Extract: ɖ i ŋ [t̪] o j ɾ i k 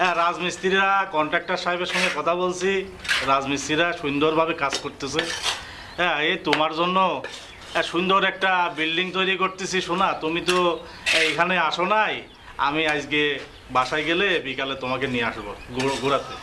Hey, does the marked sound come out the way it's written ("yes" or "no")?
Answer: yes